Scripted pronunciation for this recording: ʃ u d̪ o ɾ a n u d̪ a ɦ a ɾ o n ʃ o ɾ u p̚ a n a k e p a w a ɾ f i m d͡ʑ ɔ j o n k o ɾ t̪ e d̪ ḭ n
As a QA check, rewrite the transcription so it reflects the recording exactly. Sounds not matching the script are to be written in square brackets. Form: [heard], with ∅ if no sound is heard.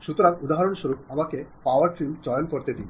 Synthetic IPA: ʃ u [t̪] o ɾ a [ŋ] u d̪ a ɦ a ɾ o n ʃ o ɾ u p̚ a [m] a k e p a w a ɾ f i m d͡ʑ ɔ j o n k o ɾ t̪ e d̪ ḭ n